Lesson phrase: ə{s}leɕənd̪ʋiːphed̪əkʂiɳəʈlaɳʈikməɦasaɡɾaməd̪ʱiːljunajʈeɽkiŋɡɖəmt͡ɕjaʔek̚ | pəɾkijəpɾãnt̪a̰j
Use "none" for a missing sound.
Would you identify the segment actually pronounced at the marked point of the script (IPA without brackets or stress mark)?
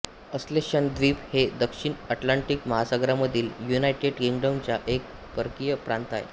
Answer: s